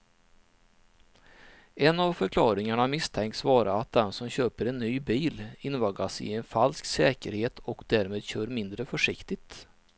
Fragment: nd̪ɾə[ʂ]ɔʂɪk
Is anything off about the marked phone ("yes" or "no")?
yes